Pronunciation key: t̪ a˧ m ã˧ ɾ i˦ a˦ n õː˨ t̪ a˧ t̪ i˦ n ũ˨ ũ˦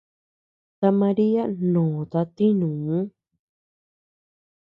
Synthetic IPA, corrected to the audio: t̪ a˧ m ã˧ ɾ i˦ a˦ n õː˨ t̪ a˧ t̪ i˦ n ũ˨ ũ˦